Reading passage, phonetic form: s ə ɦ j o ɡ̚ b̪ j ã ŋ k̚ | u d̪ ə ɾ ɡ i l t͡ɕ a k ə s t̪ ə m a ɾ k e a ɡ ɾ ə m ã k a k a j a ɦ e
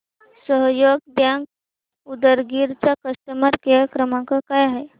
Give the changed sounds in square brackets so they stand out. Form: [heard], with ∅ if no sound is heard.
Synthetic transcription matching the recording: s ə ɦ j o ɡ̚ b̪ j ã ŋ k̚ | u d̪ ə ɾ ɡ i [ɾ] t͡ɕ a k ə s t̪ ə m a ɾ k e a [k] ɾ ə m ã k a k a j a ɦ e